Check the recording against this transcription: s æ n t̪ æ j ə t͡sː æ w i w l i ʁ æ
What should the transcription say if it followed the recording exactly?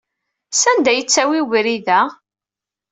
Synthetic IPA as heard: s æ n d̪ æ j ə t͡sː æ w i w ɾ i ð æ